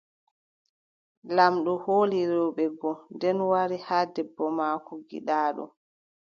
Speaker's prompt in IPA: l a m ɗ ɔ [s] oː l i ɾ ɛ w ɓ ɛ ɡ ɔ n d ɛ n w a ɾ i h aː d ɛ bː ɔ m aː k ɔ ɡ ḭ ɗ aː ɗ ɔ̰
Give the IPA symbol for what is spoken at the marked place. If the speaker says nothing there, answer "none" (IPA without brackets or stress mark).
h